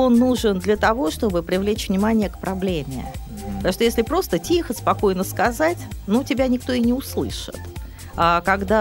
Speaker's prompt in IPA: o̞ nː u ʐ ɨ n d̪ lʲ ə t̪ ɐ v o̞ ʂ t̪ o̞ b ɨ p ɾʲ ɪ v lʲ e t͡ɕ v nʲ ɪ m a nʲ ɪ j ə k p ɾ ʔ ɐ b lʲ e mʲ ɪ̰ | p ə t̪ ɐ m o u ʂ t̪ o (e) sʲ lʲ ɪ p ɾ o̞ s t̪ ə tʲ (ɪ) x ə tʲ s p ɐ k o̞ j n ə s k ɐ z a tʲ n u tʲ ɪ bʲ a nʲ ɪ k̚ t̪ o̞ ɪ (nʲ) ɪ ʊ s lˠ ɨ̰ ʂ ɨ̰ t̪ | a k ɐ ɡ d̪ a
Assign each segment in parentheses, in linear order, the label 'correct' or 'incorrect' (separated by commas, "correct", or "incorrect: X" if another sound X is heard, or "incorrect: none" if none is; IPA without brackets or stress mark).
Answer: correct, incorrect: i, correct